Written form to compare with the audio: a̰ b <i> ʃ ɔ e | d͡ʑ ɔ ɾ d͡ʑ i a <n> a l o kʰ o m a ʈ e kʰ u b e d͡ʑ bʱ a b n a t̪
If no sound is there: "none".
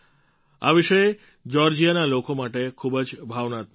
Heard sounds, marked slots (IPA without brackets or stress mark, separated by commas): i, n